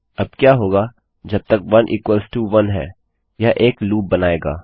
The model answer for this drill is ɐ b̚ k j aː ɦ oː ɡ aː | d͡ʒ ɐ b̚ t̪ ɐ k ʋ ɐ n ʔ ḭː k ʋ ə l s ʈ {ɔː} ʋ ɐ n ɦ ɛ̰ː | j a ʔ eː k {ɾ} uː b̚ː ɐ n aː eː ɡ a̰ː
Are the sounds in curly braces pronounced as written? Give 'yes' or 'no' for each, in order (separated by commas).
no, no